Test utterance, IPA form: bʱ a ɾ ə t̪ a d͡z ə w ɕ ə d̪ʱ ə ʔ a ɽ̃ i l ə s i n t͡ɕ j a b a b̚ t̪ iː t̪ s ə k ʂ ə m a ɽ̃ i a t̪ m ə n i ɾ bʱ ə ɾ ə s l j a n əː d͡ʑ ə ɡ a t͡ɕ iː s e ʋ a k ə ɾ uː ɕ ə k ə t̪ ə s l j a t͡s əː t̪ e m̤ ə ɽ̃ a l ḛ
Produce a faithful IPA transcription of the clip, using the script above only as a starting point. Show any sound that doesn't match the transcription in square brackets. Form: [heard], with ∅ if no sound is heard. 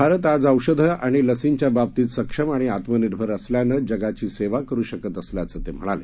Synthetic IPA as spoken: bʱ a ɾ ə t̪ a d͡z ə w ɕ ə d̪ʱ ə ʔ a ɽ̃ i l ə s i n t͡ɕ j a b a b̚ t̪ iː t̪ s ə k ʂ ə m a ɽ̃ i a t̪ m ə n i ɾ bʱ ə ɾ ə s l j a n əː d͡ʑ ə ɡ a t͡ɕ iː s e ʋ a k ə ɾ uː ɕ ə k ə t̪ ə s l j a t͡s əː t̪ e m̤ ə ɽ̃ a l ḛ